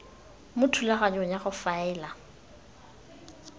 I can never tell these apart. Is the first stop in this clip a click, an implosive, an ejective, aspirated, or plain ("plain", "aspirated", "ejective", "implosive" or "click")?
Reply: aspirated